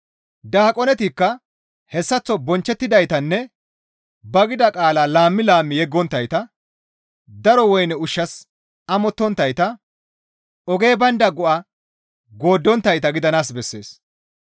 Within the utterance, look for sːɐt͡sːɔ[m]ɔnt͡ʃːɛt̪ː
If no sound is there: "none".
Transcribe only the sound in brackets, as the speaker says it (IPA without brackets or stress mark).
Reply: b